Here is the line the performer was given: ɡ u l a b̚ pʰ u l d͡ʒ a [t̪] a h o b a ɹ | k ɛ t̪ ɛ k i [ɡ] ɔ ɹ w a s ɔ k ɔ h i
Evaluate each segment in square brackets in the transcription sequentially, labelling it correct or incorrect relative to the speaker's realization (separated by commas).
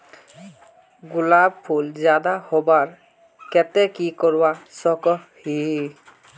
incorrect, incorrect